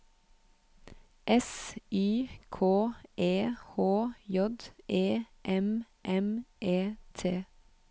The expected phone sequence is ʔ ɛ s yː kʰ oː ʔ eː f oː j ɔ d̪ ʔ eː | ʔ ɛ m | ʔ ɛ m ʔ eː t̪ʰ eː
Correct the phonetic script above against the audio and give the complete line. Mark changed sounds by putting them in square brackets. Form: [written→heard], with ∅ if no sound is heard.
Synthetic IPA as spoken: ʔ ɛ s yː kʰ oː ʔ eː [f→h] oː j ɔ d̪ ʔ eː | ʔ ɛ m | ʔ ɛ m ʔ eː t̪ʰ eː

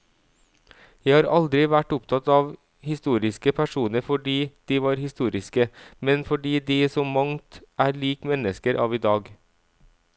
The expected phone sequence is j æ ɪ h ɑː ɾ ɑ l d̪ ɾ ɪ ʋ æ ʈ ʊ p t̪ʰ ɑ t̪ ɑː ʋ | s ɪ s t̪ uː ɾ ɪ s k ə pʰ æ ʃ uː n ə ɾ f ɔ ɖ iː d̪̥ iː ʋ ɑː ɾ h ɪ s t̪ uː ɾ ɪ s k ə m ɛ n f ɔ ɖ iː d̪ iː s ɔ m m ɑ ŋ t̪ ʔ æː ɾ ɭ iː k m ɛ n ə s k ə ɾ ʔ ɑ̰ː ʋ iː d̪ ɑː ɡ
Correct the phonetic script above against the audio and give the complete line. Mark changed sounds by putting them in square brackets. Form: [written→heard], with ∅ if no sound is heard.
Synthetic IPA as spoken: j æ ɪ h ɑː ɾ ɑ l d̪ ɾ ɪ ʋ æ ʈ ʊ p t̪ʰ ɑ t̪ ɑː ʋ | [s→h] ɪ s t̪ uː ɾ ɪ s k ə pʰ æ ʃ uː n ə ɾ f ɔ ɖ iː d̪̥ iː ʋ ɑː ɾ h ɪ s t̪ uː ɾ ɪ s k ə m ɛ n f ɔ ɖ iː d̪ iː s ɔ m m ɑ ŋ t̪ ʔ æː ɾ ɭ iː k m ɛ n ə s k ə ɾ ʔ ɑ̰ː ʋ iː d̪ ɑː ɡ

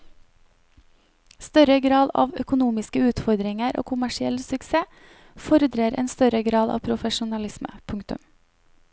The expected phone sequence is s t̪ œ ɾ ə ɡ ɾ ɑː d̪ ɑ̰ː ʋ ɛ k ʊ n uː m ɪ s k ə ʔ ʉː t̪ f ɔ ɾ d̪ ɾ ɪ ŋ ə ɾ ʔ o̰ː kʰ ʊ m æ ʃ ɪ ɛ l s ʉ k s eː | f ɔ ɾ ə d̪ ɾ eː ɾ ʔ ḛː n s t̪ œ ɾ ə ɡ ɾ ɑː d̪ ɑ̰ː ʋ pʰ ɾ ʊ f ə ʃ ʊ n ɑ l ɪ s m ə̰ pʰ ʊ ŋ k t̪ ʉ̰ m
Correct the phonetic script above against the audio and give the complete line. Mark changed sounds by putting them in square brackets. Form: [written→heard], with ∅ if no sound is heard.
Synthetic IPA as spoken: s t̪ œ ɾ ə ɡ ɾ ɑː d̪ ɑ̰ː ʋ [ɛ→œ] k ʊ n uː m ɪ s k ə [ʔ→∅] ʉː t̪ f ɔ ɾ d̪ ɾ ɪ ŋ ə ɾ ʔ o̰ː kʰ ʊ m æ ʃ ɪ ɛ l s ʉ k s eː | f ɔ ɾ ə d̪ ɾ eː ɾ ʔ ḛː n s t̪ œ ɾ ə ɡ ɾ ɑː d̪ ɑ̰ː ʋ pʰ ɾ ʊ f ə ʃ ʊ n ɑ l ɪ s m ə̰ pʰ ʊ ŋ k t̪ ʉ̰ m

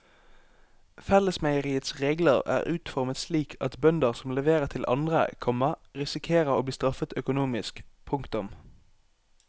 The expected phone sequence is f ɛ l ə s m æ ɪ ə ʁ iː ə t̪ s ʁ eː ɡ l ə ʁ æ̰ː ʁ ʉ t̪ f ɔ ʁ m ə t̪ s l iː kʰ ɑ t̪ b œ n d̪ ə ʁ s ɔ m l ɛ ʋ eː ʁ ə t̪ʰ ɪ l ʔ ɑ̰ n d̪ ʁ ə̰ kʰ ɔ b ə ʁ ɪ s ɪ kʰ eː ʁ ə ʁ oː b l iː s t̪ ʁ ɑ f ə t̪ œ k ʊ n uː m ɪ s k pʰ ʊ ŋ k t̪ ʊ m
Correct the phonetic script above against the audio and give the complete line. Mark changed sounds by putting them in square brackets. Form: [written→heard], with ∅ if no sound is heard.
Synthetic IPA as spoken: f ɛ l ə s m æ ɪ ə ʁ iː ə t̪ s ʁ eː ɡ l ə ʁ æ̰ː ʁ [ʉ→ʉː] t̪ f ɔ ʁ m ə t̪ s l iː kʰ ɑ t̪ b œ n d̪ ə ʁ s ɔ m l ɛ ʋ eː ʁ ə t̪ʰ ɪ l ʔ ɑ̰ n d̪ ʁ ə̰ kʰ ɔ [b→m] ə ʁ ɪ s ɪ kʰ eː ʁ ə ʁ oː b l iː s t̪ ʁ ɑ f ə t̪ œ k ʊ n uː m ɪ s k pʰ ʊ ŋ k t̪ ʊ m

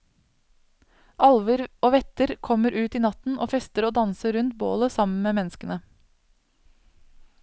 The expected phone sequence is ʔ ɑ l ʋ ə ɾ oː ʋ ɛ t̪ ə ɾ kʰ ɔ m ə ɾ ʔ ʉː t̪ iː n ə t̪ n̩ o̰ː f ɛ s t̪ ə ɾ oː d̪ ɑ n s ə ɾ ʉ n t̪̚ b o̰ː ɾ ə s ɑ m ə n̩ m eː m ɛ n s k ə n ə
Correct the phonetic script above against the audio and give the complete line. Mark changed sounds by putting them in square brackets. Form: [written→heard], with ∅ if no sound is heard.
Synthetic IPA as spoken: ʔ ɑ l ʋ ə ɾ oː ʋ ɛ t̪ ə ɾ kʰ ɔ m ə ɾ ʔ ʉː t̪ iː n [ə→ɑ] t̪ n̩ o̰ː f ɛ s t̪ ə ɾ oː d̪ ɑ n s ə ɾ ʉ n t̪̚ b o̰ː [ɾ→l] ə s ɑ m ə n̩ m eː m ɛ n s k ə n ə

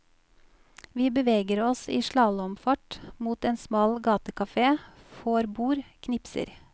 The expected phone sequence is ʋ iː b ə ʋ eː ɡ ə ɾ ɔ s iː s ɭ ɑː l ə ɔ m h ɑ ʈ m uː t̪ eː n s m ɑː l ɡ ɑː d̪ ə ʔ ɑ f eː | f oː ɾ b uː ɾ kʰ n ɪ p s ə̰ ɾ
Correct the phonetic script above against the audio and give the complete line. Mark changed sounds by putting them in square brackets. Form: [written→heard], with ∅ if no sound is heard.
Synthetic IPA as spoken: ʋ iː b ə ʋ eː ɡ ə ɾ ɔ s iː [s→ʃ] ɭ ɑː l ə ɔ m [h→f] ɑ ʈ m uː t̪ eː n s m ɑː l ɡ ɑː [d̪→t̪] ə [ʔ→k] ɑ f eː | f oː ɾ b uː ɾ kʰ n ɪ p s ə̰ ɾ

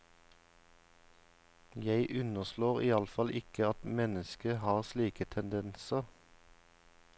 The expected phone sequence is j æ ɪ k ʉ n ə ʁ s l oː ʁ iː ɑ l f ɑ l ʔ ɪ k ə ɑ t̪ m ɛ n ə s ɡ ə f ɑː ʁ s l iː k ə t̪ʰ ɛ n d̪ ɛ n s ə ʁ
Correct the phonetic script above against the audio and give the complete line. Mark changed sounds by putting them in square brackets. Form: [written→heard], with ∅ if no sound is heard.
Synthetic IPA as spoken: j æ ɪ [k→ʔ] ʉ n ə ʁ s l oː ʁ iː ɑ l f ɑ l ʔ ɪ k ə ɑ t̪ m ɛ n ə s [ɡ→k] ə [f→h] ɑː ʁ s l iː k ə t̪ʰ ɛ n d̪ ɛ n s ə ʁ

